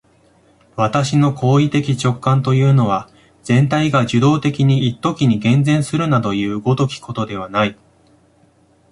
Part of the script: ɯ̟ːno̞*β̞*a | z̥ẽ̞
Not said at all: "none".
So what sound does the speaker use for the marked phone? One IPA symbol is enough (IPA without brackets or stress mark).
β̞